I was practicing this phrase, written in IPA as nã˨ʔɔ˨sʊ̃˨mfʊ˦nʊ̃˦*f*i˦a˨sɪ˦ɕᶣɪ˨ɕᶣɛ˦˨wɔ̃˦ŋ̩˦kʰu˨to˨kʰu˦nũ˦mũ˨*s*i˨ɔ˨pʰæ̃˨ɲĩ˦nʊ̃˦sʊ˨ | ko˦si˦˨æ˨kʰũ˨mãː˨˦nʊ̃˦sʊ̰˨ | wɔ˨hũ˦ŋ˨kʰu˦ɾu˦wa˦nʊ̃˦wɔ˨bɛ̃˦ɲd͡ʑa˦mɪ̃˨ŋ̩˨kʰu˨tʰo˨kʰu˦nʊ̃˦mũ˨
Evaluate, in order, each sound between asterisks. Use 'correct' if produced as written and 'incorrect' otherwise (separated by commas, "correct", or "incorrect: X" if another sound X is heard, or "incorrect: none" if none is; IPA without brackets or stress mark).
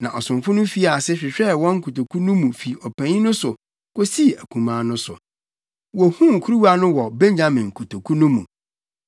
correct, incorrect: f